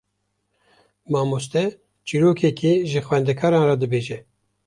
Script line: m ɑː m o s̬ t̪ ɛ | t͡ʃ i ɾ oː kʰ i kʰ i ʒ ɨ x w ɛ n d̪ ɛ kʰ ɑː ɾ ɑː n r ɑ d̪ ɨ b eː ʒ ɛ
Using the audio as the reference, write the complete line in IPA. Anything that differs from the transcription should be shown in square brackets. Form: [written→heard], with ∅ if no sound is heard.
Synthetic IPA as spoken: m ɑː m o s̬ t̪ ɛ | t͡ʃ i ɾ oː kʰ [i→ɛ] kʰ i ʒ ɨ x w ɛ n d̪ ɛ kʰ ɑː ɾ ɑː n r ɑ d̪ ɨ b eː ʒ ɛ